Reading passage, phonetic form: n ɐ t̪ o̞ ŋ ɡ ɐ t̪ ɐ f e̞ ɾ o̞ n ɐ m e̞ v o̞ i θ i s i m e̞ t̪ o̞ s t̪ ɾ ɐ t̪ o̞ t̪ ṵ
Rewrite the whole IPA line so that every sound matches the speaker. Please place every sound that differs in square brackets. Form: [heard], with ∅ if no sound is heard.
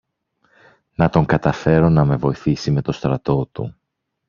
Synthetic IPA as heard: n ɐ t̪ o̞ ŋ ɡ ɐ t̪ ɐ f e̞ ɾ o̞ n ɐ m e̞ v o̞ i θ i s i m e̞ t̪ o̞ s t̪ ɾ ɐ t̪ o̞ t̪ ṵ